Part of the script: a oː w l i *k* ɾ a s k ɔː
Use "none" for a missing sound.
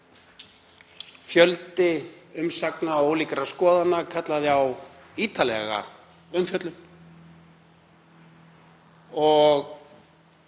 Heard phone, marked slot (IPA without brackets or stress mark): k